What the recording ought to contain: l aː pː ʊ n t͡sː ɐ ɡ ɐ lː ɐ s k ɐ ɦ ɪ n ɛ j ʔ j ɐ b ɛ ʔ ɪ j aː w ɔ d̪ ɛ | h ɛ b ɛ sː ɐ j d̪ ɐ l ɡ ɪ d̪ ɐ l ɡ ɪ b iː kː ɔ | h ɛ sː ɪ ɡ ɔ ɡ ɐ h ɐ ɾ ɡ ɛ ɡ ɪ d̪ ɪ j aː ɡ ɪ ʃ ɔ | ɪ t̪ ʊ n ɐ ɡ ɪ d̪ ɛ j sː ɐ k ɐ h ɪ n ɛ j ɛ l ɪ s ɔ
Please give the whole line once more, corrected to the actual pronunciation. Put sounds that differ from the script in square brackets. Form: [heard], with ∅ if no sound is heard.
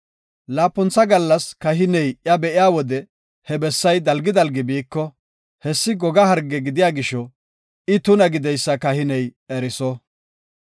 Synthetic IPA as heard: l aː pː ʊ n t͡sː ɐ ɡ ɐ lː ɐ s k ɐ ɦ ɪ n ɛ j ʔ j ɐ b ɛ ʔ ɪ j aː w ɔ d̪ ɛ | h ɛ b ɛ sː ɐ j d̪ ɐ l ɡ ɪ d̪ ɐ l ɡ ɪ b iː kː ɔ | h ɛ sː ɪ ɡ ɔ ɡ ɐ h ɐ ɾ ɡ ɛ ɡ ɪ d̪ ɪ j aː ɡ ɪ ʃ ɔ | ɪ t̪ ʊ n ɐ ɡ ɪ d̪ ɛ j sː ɐ k ɐ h ɪ n ɛ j ɛ [ɾ] ɪ s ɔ